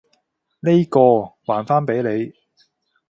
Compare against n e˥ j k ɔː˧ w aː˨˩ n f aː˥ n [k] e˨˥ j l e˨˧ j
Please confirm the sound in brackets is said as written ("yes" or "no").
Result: no